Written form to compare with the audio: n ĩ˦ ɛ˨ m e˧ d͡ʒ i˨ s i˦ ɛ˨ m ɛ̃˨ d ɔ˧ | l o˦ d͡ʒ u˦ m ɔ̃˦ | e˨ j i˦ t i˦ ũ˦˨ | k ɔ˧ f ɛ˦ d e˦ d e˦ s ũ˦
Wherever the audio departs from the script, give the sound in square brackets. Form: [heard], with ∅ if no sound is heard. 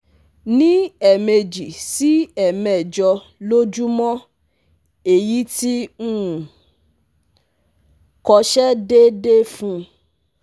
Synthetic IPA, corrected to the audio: n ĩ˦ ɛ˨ m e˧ d͡ʒ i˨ s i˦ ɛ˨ m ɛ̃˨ [d͡ʒ] ɔ˧ | l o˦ d͡ʒ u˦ m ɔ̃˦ | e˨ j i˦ t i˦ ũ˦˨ | k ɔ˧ [ʃ] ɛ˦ d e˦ d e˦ [f] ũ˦